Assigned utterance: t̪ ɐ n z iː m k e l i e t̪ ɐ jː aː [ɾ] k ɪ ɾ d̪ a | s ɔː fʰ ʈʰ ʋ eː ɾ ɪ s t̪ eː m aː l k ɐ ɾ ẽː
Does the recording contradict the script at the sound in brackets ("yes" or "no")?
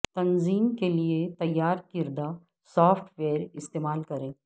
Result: no